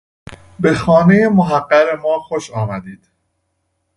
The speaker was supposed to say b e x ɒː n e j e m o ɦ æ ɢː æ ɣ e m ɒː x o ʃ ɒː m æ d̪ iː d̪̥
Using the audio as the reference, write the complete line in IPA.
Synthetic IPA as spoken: b e x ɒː n e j e m o ɦ æ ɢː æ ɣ e m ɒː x o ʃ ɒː m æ d̪ iː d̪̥